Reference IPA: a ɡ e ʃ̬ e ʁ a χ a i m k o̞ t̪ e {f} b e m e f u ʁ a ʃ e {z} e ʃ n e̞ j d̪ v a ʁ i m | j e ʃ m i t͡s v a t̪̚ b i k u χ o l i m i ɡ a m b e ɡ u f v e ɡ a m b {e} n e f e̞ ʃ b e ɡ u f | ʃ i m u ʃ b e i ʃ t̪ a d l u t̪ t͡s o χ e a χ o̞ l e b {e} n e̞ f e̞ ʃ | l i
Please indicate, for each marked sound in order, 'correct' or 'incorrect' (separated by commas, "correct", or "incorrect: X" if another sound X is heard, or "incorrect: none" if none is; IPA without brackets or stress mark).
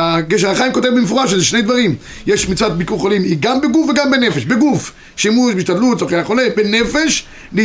incorrect: v, correct, correct, correct